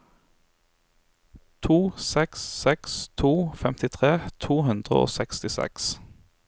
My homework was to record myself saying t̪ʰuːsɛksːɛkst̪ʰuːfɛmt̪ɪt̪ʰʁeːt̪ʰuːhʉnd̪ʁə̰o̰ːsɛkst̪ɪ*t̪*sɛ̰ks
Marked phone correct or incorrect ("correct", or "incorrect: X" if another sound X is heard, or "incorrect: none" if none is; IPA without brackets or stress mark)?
incorrect: none